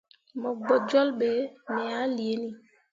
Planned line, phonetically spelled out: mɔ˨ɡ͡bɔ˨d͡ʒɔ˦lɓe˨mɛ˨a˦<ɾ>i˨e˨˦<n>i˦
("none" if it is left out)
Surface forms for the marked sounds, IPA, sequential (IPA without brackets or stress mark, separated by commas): l, n